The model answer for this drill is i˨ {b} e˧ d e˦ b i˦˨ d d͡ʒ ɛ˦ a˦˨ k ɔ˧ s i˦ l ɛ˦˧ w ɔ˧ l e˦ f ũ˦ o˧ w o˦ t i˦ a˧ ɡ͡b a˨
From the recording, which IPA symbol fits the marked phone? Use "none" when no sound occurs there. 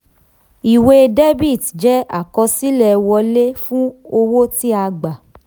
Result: w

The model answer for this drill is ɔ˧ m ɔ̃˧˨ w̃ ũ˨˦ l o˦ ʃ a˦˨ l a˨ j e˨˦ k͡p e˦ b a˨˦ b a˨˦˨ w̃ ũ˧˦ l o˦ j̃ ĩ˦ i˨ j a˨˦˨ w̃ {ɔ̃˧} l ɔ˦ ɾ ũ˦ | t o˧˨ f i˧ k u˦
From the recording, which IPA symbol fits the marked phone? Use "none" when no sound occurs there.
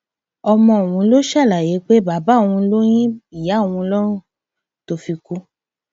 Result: ũ˧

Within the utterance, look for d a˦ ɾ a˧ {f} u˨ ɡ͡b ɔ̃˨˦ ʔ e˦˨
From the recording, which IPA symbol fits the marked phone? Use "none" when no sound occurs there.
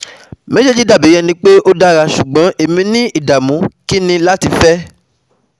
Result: ʃ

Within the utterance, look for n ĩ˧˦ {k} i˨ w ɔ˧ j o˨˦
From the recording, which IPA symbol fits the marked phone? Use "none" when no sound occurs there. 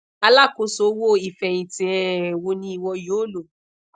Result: none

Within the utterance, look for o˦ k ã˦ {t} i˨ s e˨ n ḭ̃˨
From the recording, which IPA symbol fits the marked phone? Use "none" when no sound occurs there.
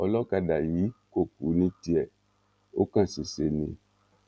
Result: s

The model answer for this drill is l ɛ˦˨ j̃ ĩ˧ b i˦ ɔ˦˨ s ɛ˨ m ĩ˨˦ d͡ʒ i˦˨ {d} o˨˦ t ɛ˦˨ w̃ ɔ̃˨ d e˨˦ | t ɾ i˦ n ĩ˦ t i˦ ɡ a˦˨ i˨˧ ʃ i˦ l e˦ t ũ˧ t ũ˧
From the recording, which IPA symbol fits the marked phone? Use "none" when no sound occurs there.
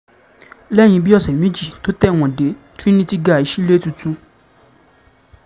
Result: t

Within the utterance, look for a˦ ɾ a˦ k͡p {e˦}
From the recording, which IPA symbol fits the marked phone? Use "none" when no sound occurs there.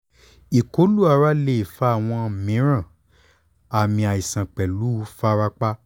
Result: a˦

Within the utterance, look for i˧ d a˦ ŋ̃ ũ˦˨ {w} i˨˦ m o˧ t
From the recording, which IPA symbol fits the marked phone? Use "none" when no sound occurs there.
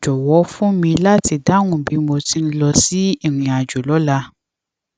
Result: b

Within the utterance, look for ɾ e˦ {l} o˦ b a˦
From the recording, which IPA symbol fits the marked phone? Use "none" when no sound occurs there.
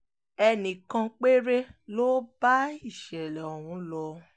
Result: l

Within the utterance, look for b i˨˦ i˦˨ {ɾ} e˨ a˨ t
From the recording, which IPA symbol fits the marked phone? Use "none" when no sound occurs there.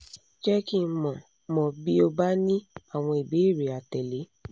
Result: ɾ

